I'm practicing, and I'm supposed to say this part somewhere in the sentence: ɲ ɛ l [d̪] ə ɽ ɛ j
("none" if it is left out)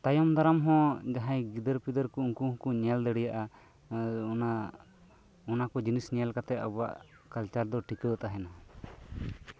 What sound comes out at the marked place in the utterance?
d̪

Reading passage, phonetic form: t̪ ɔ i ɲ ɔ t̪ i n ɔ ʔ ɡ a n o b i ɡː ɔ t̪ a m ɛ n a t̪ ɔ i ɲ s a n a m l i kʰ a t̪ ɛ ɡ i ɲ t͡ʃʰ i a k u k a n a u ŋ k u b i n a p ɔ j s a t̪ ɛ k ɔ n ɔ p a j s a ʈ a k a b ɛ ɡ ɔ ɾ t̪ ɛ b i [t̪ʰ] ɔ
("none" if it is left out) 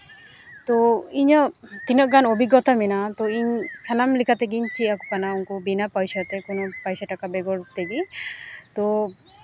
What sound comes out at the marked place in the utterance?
t̪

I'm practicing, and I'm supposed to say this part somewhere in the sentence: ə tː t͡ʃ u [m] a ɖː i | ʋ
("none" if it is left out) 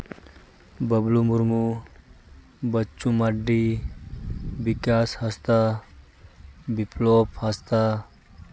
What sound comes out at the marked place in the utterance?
m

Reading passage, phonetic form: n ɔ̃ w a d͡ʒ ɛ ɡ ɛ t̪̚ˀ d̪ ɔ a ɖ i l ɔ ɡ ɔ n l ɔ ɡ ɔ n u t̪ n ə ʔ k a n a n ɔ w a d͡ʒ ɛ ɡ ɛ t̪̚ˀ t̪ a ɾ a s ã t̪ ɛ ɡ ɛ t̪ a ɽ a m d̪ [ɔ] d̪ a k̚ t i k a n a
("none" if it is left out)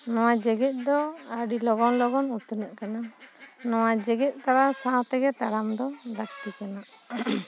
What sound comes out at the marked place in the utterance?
ɔ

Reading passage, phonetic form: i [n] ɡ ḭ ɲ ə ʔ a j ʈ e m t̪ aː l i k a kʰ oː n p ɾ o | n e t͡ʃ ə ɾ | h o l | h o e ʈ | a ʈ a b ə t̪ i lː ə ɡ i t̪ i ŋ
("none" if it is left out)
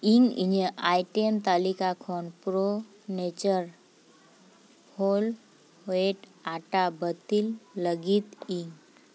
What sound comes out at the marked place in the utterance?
ŋ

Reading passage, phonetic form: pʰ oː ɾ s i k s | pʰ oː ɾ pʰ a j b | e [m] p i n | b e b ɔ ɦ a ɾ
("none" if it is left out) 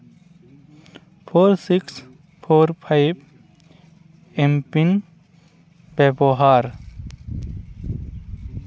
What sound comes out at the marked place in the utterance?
m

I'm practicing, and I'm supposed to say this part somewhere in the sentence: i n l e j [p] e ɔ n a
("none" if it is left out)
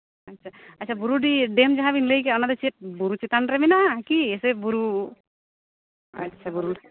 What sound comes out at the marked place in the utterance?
k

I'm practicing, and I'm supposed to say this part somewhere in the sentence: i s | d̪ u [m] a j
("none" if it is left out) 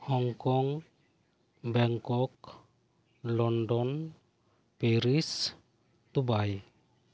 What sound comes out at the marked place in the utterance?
b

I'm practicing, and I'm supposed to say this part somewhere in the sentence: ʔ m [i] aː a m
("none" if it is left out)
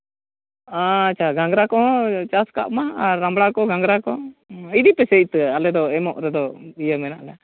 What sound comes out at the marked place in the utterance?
a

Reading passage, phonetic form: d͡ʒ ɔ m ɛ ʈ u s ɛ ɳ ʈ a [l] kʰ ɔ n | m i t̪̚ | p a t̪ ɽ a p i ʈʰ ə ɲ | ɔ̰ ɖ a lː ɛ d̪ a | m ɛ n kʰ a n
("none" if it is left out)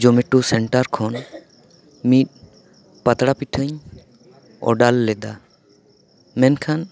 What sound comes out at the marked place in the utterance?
ɾ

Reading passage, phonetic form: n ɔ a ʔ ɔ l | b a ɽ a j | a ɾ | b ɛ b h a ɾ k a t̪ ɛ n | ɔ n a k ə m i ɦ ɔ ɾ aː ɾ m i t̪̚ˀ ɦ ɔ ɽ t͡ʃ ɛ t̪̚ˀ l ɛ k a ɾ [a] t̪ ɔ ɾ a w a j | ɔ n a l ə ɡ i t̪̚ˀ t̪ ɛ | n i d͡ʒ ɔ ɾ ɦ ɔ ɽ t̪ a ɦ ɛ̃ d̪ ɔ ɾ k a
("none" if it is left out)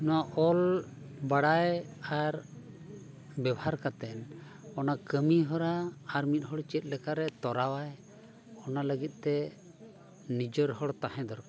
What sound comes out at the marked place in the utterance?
ɛ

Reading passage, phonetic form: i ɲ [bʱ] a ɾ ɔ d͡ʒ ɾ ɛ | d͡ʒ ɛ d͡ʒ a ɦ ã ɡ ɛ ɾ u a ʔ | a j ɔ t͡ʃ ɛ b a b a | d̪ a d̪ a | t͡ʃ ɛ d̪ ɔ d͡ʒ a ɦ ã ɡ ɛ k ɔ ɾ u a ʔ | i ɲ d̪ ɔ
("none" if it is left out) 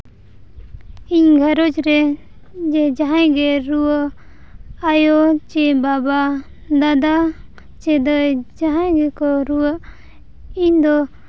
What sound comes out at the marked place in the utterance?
ɡʱ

